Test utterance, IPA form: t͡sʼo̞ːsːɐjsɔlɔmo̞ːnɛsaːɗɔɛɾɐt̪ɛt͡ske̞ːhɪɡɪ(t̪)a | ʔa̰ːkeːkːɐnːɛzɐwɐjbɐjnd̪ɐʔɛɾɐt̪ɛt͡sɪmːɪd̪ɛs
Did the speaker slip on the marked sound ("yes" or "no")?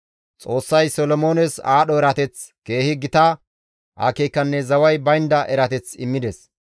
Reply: no